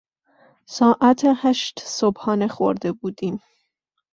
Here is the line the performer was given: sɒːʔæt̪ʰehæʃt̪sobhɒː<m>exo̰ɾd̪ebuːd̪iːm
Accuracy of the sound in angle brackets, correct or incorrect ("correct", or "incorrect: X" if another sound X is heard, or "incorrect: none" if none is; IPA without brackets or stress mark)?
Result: incorrect: n